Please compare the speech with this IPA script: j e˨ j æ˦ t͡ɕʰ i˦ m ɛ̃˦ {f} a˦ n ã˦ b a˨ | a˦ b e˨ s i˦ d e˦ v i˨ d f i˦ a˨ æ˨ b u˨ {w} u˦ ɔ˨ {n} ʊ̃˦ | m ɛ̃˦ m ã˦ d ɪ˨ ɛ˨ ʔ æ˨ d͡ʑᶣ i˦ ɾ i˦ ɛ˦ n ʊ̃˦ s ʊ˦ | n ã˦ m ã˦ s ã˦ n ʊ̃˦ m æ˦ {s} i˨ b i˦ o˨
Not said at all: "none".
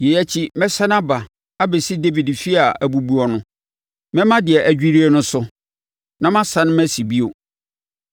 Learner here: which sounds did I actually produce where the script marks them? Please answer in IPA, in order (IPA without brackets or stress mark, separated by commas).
s, b, n, s